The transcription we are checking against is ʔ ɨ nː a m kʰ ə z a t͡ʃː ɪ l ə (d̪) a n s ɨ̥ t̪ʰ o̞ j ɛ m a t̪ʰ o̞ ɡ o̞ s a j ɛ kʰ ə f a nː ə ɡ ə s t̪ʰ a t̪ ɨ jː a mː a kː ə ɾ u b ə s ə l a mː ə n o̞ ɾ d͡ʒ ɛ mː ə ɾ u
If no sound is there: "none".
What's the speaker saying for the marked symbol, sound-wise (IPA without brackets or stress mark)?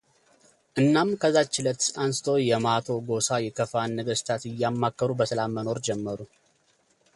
t̪